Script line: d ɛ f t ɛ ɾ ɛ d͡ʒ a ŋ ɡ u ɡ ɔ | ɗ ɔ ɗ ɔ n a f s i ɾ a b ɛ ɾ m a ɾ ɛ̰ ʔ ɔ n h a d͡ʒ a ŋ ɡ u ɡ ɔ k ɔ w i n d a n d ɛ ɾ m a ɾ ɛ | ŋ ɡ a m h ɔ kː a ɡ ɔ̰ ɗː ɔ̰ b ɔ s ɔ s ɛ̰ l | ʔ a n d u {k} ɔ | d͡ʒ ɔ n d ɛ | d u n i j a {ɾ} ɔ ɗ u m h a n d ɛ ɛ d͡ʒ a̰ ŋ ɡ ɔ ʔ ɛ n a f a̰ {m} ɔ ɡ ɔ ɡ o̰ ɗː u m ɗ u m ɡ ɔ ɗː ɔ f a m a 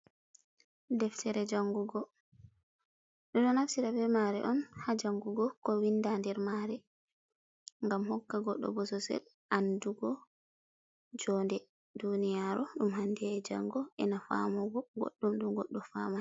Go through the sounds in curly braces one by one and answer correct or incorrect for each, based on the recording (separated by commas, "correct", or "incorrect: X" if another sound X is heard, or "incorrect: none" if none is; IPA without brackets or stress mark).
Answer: incorrect: ɡ, correct, correct